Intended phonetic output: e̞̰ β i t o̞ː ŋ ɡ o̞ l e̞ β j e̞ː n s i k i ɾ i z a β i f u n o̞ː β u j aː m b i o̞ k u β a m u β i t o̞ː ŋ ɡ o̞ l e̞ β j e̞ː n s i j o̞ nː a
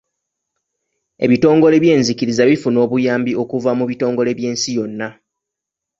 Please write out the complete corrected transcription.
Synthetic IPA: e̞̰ β i t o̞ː ŋ ɡ o̞ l e̞ β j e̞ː n z i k i ɾ i z a β i f u n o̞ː β u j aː m b i o̞ k u v a m u β i t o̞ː ŋ ɡ o̞ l e̞ β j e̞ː n s i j o̞ nː a